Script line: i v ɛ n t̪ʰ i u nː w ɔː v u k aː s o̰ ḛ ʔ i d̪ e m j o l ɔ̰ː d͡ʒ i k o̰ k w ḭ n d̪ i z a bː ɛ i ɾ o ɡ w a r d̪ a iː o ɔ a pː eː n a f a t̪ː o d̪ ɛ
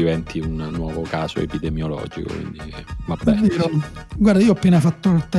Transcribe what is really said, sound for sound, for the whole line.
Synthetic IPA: i v ɛ n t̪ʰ i u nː w ɔː v o k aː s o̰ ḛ p i d̪ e m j o l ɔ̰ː d͡ʒ i k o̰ k w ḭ n d̪ i v a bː ɛ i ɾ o ɡ w a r d̪ a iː o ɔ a pː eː n a f a t̪ː o t̪ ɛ